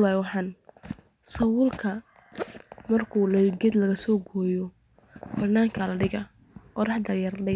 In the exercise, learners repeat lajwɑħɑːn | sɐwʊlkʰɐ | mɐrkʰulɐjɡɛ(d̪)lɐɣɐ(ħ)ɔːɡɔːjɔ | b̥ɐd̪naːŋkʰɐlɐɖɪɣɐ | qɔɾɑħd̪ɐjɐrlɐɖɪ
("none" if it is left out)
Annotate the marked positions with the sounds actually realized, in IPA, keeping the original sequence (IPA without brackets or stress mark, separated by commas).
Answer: d̪, s